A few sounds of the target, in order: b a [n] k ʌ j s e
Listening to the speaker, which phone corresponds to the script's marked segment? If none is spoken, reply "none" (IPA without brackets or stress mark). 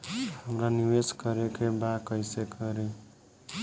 none